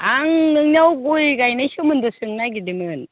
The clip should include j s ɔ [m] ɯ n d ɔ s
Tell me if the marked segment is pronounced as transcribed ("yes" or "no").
yes